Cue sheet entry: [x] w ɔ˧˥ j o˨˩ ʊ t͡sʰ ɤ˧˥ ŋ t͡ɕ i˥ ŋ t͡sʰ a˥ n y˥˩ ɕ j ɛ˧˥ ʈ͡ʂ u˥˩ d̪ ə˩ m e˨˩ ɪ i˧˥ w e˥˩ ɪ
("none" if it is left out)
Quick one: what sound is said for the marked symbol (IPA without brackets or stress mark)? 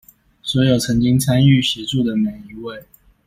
s